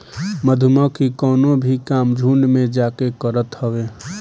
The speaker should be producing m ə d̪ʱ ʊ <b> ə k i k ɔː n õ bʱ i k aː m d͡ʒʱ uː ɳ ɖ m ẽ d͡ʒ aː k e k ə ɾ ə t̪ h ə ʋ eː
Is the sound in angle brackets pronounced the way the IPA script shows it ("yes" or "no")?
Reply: no